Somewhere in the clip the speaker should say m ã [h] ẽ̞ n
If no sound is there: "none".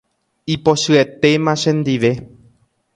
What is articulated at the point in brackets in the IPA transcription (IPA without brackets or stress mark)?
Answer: ʃ